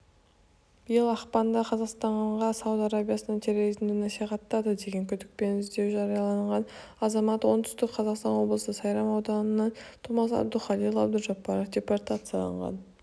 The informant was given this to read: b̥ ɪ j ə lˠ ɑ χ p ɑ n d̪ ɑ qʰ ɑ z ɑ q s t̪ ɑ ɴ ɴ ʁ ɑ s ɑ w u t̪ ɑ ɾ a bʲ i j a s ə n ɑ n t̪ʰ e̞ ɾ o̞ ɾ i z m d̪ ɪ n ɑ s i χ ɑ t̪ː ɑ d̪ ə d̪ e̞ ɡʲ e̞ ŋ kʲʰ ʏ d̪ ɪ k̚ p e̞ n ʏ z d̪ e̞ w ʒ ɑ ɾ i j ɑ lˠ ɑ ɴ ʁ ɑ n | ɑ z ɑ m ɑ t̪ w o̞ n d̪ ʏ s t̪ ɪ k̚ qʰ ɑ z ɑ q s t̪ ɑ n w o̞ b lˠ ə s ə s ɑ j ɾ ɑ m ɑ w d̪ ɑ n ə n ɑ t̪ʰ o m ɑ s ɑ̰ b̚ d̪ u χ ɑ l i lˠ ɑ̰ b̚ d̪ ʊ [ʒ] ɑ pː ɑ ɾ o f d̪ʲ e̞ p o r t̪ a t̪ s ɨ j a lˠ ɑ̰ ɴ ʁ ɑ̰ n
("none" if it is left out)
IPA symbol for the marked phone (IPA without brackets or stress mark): ʒ